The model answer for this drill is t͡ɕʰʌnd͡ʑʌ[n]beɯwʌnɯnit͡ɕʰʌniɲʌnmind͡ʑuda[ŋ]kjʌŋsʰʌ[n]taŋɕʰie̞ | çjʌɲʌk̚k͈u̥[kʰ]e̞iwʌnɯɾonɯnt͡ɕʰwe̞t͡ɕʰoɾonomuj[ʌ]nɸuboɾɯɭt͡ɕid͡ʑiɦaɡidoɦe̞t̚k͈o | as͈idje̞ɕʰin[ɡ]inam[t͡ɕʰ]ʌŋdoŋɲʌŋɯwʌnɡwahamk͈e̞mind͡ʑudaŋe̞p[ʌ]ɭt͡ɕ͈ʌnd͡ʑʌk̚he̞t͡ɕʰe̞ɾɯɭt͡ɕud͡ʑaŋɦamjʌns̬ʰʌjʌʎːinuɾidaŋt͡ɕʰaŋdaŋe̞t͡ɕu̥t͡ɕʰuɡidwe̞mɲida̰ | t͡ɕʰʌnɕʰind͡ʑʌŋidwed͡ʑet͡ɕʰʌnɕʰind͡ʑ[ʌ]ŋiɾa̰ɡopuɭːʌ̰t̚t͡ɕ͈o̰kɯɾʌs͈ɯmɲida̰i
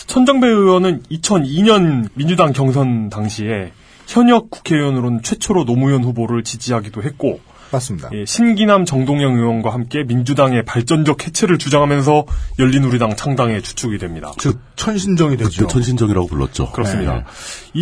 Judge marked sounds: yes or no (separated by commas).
no, yes, yes, yes, yes, yes, no, no, yes